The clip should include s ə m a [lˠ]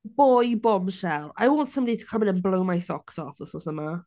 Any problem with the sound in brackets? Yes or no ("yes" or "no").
yes